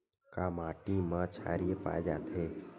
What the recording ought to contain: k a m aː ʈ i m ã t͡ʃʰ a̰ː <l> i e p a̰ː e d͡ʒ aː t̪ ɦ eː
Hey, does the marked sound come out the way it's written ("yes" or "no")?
no